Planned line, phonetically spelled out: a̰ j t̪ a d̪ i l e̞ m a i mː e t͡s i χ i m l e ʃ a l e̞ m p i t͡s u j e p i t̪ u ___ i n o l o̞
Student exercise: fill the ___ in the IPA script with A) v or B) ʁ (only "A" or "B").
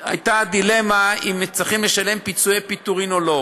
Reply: B